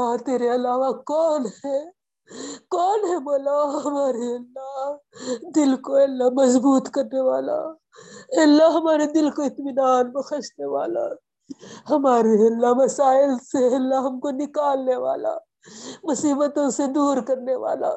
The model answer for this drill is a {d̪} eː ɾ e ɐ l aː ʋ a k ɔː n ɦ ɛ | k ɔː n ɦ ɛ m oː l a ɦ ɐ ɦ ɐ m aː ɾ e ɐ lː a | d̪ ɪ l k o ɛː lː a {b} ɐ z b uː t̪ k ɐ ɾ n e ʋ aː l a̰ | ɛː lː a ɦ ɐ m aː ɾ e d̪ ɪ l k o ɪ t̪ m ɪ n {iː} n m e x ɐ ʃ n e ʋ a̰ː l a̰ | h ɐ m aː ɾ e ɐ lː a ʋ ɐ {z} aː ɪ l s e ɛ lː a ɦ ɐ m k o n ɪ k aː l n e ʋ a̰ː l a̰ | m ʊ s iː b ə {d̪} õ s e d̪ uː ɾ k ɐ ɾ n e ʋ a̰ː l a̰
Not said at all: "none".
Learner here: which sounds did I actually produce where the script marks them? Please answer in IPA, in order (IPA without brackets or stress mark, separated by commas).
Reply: t̪, m, aː, s, t̪